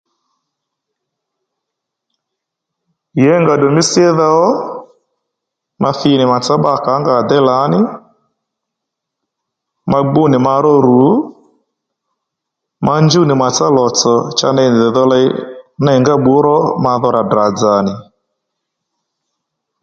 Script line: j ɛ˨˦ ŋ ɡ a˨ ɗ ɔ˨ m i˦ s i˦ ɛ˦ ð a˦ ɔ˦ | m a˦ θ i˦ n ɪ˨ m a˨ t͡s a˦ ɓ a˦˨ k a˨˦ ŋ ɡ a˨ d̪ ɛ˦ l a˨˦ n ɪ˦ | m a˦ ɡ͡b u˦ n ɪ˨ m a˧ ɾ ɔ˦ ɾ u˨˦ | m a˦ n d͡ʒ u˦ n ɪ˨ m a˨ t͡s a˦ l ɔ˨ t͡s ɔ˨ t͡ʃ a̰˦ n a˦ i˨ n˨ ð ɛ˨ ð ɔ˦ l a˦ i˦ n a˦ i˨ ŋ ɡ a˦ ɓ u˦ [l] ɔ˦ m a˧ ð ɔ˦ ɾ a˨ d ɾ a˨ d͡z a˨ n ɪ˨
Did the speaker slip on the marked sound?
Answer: yes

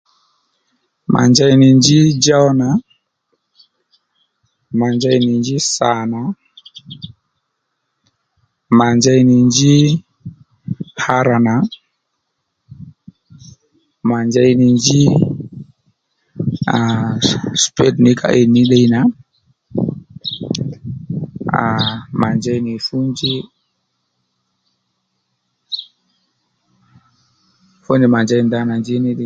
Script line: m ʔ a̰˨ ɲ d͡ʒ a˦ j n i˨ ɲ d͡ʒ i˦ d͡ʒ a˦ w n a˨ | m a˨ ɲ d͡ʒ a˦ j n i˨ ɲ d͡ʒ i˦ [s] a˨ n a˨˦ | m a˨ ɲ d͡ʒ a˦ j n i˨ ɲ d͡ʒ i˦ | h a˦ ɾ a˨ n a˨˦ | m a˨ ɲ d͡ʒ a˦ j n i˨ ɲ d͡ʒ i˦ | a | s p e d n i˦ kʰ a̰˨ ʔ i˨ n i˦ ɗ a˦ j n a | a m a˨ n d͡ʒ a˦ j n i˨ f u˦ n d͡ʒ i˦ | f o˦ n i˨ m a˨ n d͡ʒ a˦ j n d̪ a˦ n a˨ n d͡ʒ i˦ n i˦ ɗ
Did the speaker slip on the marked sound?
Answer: no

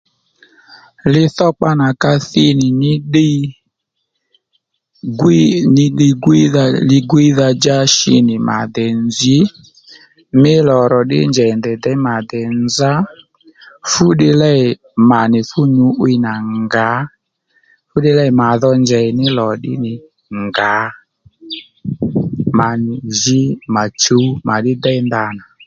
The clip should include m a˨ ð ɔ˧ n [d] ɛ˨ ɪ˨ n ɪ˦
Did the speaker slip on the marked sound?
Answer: yes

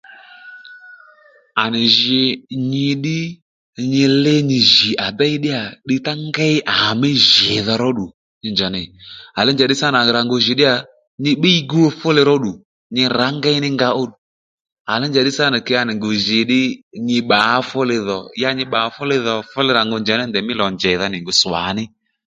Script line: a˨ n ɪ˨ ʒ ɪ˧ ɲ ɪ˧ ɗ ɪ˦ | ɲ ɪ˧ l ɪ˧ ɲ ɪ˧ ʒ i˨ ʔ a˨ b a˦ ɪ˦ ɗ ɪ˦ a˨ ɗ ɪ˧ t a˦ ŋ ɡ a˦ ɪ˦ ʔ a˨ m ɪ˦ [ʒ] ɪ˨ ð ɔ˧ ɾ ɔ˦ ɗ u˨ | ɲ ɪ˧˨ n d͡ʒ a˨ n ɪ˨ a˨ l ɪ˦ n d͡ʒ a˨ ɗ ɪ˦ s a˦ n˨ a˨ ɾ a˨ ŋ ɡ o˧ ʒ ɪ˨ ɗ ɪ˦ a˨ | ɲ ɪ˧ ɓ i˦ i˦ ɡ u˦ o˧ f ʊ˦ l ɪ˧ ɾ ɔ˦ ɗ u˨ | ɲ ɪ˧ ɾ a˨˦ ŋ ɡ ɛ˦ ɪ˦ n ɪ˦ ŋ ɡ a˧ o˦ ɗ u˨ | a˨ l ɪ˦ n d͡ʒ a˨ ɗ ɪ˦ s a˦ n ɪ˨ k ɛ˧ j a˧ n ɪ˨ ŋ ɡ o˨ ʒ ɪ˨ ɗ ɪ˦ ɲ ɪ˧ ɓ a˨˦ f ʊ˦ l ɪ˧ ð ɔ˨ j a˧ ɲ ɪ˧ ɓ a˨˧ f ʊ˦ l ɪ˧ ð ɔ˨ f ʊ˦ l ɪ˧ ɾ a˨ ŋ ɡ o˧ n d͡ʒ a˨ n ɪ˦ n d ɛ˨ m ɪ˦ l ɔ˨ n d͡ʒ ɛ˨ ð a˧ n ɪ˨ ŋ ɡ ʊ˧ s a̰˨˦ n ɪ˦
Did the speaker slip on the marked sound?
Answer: no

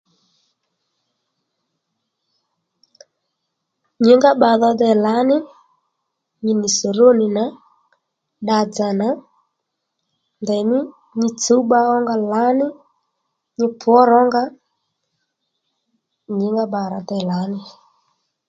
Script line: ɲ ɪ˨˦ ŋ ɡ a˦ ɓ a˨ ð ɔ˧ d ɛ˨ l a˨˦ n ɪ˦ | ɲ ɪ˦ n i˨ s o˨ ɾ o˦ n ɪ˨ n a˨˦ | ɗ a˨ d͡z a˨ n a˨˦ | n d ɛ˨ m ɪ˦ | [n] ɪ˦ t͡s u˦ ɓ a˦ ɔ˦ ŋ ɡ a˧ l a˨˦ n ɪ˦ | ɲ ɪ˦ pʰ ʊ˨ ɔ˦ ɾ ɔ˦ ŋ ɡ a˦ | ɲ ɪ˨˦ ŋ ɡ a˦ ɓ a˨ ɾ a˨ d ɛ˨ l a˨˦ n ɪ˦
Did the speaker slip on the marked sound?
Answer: yes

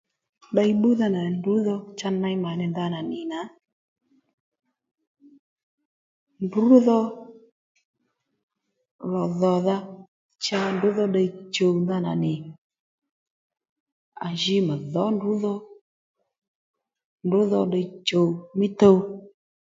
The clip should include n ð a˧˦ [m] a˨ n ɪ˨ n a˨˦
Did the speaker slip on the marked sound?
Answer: yes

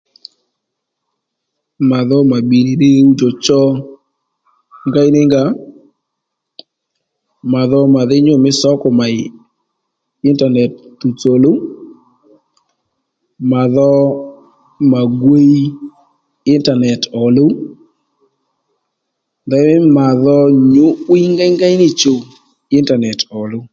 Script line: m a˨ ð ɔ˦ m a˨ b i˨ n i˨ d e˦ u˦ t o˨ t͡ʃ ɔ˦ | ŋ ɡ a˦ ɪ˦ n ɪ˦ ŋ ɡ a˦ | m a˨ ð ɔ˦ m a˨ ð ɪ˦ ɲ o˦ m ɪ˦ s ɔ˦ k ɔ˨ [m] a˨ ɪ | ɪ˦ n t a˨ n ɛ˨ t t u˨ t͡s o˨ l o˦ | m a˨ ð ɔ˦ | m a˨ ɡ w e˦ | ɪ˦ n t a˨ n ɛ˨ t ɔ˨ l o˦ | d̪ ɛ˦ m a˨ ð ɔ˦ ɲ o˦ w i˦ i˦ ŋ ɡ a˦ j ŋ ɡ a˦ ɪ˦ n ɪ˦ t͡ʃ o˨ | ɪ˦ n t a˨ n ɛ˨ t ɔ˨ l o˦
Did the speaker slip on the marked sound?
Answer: no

